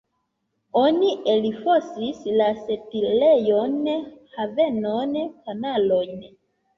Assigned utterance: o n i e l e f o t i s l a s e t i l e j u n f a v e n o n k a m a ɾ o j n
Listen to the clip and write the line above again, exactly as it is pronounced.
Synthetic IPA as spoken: o n i e l i f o s i s l a s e t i l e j o n h a v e n o n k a n a l o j n